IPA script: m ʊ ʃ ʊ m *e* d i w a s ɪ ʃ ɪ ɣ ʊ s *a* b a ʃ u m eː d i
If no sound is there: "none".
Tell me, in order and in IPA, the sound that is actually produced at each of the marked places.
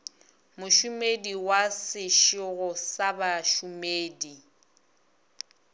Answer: e, a

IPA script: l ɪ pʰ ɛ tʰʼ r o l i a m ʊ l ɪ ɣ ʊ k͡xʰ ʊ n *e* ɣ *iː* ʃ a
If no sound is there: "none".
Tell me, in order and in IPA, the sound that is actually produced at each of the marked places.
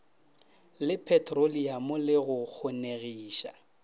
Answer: e, iː

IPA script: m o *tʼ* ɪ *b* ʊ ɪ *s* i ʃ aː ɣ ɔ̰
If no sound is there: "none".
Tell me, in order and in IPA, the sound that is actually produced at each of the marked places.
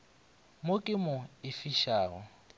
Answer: kʼ, m, f

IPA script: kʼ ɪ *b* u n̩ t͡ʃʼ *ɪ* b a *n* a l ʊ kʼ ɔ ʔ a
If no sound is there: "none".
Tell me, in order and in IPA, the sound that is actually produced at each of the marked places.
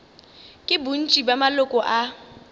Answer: b, i, m

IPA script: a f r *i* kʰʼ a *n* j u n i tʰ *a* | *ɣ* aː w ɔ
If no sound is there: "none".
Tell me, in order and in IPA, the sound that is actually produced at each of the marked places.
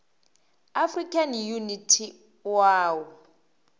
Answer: i, n, i, w

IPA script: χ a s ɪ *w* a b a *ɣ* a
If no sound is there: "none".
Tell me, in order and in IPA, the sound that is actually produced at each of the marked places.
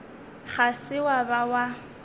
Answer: w, w

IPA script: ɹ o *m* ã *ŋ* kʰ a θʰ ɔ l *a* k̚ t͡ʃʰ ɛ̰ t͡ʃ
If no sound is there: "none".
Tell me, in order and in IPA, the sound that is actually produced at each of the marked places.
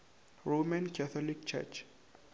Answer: m, n, i

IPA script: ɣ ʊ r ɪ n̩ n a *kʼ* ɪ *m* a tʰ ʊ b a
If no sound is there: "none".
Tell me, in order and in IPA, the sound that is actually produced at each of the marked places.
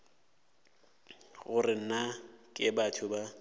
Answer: kʼ, b

